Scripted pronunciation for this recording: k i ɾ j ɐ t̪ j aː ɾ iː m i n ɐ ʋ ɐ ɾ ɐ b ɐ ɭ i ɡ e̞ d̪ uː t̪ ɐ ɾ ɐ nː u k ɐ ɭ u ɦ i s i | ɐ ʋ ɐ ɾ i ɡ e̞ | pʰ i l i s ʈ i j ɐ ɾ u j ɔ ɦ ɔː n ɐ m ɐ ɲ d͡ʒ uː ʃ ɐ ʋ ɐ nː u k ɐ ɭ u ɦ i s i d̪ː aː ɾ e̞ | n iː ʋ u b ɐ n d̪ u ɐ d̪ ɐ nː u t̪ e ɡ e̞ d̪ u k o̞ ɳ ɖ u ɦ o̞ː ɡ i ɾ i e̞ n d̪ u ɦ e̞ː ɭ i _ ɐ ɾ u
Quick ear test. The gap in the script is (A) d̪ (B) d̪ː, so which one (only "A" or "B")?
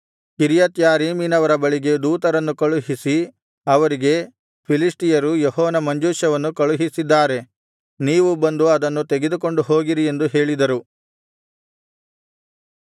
A